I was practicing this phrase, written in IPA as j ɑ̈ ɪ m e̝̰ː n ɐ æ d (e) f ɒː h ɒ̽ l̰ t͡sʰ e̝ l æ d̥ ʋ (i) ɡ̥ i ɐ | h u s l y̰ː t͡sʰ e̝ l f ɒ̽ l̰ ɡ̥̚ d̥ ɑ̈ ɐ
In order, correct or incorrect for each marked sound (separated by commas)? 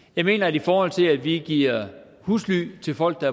incorrect, correct